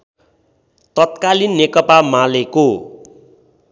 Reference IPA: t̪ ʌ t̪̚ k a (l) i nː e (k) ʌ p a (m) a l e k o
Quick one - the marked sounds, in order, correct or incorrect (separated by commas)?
correct, correct, correct